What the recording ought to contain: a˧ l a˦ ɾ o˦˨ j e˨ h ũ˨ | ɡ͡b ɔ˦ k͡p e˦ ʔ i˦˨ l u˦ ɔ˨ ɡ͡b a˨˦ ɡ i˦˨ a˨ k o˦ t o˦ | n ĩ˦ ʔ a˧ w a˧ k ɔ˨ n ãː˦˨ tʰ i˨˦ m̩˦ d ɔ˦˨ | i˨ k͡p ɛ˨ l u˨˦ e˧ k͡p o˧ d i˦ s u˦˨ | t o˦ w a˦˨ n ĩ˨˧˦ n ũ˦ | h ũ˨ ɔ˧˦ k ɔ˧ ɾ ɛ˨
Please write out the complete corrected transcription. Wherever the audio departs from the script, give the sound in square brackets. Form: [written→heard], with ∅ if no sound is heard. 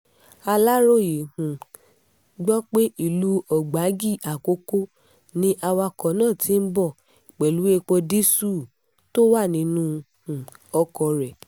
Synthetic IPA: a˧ l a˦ ɾ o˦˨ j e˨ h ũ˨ | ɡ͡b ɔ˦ k͡p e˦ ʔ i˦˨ l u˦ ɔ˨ ɡ͡b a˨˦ ɡ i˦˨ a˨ k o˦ [t→k] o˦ | n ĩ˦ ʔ a˧ w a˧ k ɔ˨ n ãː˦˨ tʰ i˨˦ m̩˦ [d→b] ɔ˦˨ | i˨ k͡p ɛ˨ l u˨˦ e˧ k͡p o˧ d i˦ s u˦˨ | t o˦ w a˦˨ n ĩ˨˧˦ n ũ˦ | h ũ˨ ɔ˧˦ k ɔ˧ ɾ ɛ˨